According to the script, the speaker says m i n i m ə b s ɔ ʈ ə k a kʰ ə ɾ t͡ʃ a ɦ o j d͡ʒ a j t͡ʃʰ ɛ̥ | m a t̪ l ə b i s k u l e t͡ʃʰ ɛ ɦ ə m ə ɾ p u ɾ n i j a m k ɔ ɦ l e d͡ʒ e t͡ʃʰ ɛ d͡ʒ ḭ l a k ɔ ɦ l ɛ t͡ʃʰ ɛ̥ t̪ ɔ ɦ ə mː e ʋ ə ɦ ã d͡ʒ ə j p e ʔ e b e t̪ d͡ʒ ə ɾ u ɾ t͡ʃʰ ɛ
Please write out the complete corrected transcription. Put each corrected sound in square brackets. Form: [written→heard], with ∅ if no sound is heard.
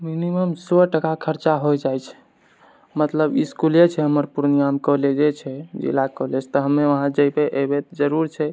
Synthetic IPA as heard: m i n i m ə [b→m] s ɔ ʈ ə k a kʰ ə ɾ t͡ʃ a ɦ o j d͡ʒ a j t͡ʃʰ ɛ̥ | m [a→ə] t̪ l ə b i s k u l e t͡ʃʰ ɛ ɦ ə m ə ɾ p u ɾ n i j a m k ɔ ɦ l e d͡ʒ e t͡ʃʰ ɛ d͡ʒ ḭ l a k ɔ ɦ l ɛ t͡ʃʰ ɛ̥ t̪ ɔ ɦ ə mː e ʋ ə ɦ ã d͡ʒ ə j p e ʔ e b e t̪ d͡ʒ ə ɾ u ɾ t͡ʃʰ ɛ